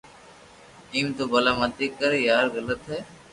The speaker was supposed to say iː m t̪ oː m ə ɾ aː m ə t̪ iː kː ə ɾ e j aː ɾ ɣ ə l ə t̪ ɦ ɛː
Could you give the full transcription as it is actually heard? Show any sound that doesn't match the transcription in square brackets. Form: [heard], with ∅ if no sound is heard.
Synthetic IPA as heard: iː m t̪ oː [b] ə [l] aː m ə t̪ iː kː ə ɾ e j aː ɾ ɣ ə l ə t̪ ɦ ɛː